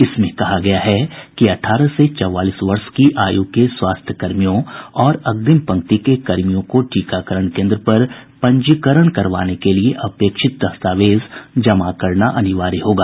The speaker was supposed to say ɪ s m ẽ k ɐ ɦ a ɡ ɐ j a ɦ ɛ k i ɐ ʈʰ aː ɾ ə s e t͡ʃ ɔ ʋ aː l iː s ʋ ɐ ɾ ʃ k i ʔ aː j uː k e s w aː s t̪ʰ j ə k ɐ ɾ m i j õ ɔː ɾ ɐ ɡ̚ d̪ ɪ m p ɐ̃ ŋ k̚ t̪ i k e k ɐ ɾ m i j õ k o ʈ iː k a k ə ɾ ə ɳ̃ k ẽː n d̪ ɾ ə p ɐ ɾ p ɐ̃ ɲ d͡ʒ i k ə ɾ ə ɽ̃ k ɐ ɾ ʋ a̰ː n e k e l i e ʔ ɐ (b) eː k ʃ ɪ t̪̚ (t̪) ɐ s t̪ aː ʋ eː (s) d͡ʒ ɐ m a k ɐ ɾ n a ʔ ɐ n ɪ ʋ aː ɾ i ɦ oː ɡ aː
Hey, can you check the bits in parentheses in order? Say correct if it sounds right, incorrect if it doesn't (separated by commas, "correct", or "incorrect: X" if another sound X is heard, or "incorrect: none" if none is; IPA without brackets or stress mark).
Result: incorrect: p, incorrect: d̪, incorrect: z